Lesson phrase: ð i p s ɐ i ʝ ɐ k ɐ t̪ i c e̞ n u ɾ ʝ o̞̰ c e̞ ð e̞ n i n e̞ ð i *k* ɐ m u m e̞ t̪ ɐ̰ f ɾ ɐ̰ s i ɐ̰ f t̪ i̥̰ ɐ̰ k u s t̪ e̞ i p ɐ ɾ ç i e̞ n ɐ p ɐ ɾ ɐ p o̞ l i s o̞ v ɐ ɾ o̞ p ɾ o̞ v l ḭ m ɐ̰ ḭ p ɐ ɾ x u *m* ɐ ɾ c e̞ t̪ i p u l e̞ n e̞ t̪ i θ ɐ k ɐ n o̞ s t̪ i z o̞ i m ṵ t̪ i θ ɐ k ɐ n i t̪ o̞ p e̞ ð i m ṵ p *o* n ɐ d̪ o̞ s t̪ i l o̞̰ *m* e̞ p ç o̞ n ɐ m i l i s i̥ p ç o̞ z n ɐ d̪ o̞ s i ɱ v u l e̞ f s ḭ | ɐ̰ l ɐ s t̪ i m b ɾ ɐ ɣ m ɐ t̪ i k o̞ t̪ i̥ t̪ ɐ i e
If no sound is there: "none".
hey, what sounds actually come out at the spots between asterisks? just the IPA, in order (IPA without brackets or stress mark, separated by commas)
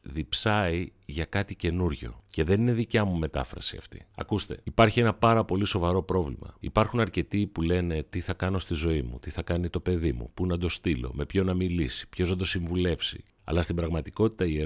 c, n, u, m